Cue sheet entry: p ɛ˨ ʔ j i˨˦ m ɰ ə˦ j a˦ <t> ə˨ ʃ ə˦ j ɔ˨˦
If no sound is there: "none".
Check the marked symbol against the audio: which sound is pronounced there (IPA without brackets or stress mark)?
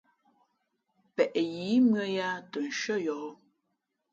t